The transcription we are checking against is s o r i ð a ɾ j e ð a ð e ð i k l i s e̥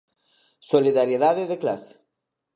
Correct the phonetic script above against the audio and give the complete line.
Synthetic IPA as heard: s o l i ð a ɾ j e ð a ð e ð e k l a s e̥